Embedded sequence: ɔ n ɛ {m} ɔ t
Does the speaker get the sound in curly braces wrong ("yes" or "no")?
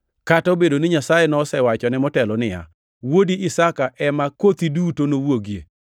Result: no